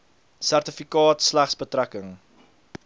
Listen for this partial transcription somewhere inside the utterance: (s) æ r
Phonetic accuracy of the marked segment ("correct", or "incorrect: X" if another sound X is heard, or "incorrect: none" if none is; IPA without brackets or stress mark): correct